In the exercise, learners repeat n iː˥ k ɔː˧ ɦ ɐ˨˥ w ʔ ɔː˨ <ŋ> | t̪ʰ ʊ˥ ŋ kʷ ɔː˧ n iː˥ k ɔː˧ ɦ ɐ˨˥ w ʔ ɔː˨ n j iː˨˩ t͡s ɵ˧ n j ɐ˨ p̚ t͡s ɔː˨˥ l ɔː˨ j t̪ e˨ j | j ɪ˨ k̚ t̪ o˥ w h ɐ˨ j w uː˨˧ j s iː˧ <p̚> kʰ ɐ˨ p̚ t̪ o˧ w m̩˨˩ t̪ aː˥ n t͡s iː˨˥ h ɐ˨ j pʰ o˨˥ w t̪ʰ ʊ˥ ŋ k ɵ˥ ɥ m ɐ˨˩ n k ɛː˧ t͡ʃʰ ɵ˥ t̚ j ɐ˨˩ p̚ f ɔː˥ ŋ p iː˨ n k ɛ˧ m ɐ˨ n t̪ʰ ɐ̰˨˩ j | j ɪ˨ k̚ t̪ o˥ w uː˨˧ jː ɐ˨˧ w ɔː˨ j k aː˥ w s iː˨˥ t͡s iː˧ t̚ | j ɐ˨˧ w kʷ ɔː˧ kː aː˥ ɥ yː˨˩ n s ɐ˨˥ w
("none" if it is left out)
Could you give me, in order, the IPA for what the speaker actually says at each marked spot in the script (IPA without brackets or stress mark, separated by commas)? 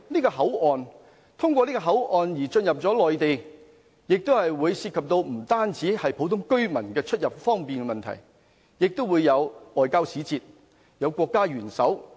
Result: n, t̚